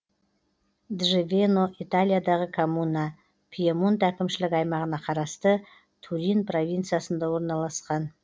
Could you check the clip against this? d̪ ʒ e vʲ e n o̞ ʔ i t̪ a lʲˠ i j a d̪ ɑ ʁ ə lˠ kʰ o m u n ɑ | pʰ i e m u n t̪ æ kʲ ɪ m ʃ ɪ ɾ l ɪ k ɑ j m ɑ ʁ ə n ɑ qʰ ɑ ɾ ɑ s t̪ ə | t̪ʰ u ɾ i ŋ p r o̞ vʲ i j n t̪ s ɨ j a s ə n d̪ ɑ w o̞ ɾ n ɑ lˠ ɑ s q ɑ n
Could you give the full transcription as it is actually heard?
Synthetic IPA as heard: d̪ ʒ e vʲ e n o̞ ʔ i t̪ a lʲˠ i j a d̪ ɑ ʁ ə kʰ o m u n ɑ | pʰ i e m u n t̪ æ kʲ ɪ m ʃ ɪ l ɪ k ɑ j m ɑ ʁ ə n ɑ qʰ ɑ ɾ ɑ s t̪ ə | t̪ʰ u ɾ i n p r o̞ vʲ i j n t̪ s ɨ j a s ə n d̪ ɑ w o̞ ɾ n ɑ lˠ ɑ s q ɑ n

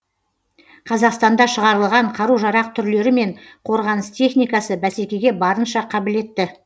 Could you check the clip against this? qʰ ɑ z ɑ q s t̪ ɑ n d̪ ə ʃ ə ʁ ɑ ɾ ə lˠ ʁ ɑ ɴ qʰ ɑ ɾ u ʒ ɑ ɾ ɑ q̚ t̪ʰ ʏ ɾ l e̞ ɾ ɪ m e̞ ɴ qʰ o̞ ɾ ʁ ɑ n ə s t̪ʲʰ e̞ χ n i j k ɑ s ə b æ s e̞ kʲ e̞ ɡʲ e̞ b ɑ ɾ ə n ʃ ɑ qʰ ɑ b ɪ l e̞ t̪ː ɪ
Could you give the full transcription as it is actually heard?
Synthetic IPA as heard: qʰ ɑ z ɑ q s t̪ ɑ n d̪ ɑ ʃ ə ʁ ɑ ɾ ə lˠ ʁ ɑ ɴ qʰ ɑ ɾ u ʒ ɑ ɾ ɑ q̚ t̪ʰ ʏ ɾ l e̞ ɾ ɪ m e̞ ɴ qʰ o̞ ɾ ʁ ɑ n ə s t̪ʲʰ e̞ χ n i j k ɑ s ə b æ s e̞ kʲ e̞ ɡʲ e̞ b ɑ ɾ ə n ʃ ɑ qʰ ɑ b ɪ l e̞ t̪ː ɪ

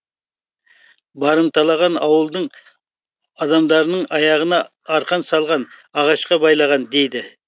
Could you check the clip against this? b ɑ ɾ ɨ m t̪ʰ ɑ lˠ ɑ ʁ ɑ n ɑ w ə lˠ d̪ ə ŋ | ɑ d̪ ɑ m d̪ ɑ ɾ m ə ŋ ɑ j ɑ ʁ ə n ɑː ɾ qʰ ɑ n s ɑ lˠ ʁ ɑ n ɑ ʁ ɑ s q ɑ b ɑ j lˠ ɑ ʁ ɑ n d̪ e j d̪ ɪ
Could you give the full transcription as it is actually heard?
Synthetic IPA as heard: b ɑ ɾ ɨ m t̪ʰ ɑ lˠ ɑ ʁ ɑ n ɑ w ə lˠ d̪ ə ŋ | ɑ d̪ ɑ m d̪ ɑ ɾ n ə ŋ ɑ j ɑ ʁ ə n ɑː ɾ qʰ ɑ n s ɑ lˠ ʁ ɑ n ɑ ʁ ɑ ʃ q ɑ b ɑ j lˠ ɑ ʁ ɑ n d̪ e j d̪ ɪ

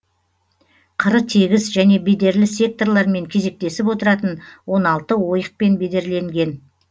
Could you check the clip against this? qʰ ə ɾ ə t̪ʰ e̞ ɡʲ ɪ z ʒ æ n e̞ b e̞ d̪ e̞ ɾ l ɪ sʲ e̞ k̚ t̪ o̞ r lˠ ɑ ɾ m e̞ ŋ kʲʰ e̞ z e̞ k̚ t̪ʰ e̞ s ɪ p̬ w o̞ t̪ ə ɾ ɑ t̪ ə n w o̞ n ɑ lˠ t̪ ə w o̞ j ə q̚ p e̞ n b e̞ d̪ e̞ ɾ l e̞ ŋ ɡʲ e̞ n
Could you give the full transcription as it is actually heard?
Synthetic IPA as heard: qʰ ə ɾ ə t̪ʰ e̞ ɡʲ ɪ z ʒ æ n e̞ b e̞ d̪ e̞ ɾ l ɪ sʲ e̞ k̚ t̪ o̞ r lˠ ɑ ɾ m e̞ ŋ kʲʰ e̞ z e̞ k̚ t̪ e̞ s ɪ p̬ w o̞ t̪ ə ɾ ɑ t̪ ə n w o̞ n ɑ lˠ t̪ ə w o̞ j ə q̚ p e̞ n b e̞ d̪ e̞ ɾ l e̞ ŋ ɡʲ e̞ n

